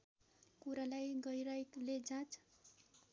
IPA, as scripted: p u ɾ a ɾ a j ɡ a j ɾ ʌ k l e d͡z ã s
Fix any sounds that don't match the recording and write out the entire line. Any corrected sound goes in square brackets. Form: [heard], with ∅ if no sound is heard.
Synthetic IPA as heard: [k] u ɾ a [l] a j ɡ [ʌ] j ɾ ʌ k l e d͡z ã [t͡s]